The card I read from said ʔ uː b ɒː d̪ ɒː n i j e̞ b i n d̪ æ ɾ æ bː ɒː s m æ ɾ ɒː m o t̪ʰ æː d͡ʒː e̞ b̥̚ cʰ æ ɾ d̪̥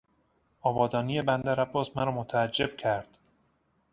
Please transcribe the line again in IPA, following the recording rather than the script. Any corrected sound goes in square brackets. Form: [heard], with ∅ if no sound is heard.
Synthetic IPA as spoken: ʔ [ɒː] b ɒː d̪ ɒː n i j e̞ b [æ] n d̪ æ ɾ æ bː ɒː s m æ ɾ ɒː m o t̪ʰ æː d͡ʒː e̞ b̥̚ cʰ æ ɾ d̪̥